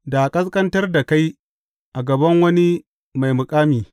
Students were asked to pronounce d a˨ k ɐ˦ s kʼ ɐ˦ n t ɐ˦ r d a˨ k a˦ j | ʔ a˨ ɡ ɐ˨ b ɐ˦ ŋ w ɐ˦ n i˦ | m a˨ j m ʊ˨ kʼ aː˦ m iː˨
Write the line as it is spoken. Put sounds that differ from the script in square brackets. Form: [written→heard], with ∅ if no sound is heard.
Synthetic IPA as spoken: d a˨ [k→kʼ] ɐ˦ s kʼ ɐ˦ n t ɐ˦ r d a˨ k a˦ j | ʔ a˨ ɡ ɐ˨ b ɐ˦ ŋ w ɐ˦ n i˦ | m a˨ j m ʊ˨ kʼ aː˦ m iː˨